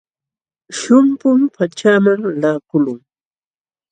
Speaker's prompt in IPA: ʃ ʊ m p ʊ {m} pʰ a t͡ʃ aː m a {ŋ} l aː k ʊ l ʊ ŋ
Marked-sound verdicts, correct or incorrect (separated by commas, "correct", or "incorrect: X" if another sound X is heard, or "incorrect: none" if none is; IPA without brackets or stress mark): correct, correct